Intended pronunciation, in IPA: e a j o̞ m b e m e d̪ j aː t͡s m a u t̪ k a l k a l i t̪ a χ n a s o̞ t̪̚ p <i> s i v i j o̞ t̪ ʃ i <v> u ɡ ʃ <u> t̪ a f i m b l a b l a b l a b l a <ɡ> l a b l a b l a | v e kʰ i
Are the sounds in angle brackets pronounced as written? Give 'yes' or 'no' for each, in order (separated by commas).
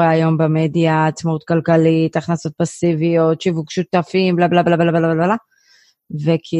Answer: no, yes, yes, no